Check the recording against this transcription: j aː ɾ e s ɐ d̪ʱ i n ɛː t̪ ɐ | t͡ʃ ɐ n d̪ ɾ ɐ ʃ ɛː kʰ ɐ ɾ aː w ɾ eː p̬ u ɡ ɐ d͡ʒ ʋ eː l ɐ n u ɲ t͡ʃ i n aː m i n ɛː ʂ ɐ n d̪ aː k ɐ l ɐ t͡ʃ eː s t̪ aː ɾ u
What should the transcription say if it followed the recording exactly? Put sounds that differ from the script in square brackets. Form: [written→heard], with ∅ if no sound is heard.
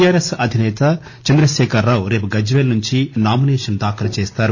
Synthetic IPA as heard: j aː ɾ e s ɐ d̪ʱ i n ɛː t̪ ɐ | t͡ʃ ɐ n d̪ ɾ ɐ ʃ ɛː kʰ ɐ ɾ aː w ɾ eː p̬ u ɡ ɐ d͡ʒ ʋ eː l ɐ n u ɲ t͡ʃ i n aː m i n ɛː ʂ ɐ n d̪ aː k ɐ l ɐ t͡ʃ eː s t̪ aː ɾ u

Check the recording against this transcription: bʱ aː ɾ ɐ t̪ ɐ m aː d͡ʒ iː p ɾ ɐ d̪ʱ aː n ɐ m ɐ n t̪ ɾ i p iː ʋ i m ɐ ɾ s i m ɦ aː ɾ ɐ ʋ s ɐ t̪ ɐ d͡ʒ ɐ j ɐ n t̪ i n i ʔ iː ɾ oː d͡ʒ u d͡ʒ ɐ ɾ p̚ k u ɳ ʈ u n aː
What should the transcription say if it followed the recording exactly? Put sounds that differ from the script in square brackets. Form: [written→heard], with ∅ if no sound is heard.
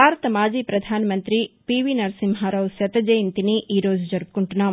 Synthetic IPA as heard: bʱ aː ɾ ɐ t̪ ɐ m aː d͡ʒ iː p ɾ ɐ d̪ʱ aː n ɐ m ɐ n t̪ ɾ i p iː ʋ i [m→n] ɐ ɾ s i m ɦ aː ɾ ɐ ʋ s ɐ t̪ ɐ d͡ʒ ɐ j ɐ n t̪ i n i ʔ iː ɾ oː d͡ʒ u d͡ʒ ɐ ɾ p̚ k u ɳ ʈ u n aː

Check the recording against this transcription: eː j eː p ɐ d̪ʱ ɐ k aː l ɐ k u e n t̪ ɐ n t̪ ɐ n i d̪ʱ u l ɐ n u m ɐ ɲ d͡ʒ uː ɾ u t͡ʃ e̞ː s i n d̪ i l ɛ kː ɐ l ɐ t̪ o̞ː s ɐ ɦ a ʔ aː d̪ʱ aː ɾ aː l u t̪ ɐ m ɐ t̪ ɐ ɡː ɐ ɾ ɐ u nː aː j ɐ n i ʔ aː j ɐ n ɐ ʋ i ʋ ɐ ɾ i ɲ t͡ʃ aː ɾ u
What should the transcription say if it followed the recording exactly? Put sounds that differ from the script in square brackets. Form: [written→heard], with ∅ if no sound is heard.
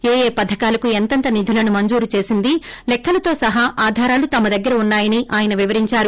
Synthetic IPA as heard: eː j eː p ɐ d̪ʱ ɐ k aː l ɐ k u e n t̪ ɐ n t̪ ɐ n i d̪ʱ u l ɐ n u m ɐ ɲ d͡ʒ uː ɾ u t͡ʃ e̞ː s i n d̪ i l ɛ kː ɐ l ɐ t̪ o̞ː s ɐ ɦ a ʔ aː d̪ʱ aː ɾ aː l u t̪ ɐ m ɐ [t̪→d̪] ɐ ɡː ɐ ɾ ɐ u nː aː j ɐ n i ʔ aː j ɐ n ɐ ʋ i ʋ ɐ ɾ i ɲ t͡ʃ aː ɾ u

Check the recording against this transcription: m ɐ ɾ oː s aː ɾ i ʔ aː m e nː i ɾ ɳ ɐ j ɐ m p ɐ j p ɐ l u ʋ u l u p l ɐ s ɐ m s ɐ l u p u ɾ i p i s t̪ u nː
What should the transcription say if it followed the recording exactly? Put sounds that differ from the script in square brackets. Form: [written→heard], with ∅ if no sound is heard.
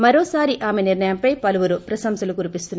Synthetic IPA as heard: m ɐ ɾ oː s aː ɾ i ʔ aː m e [nː→n] i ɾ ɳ ɐ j ɐ m p ɐ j p ɐ l u ʋ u [l→ɾ] u p [l→ɾ] ɐ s ɐ m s ɐ l u [p→k] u ɾ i p i s t̪ u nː

